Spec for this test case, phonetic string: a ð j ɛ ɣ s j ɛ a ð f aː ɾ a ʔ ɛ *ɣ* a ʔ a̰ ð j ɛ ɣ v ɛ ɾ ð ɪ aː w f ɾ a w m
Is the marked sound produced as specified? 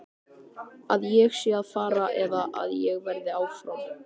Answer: no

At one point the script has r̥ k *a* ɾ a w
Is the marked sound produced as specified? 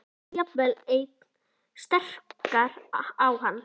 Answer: yes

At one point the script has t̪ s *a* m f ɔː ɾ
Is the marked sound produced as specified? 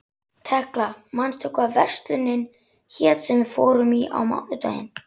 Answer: no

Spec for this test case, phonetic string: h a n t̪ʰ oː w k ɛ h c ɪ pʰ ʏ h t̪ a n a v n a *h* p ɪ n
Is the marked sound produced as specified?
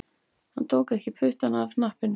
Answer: yes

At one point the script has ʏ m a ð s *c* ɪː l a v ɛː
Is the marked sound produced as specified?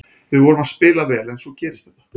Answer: no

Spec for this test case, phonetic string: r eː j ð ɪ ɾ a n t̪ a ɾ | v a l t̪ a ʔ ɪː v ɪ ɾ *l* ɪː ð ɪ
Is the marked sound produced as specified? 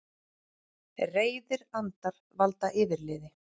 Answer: yes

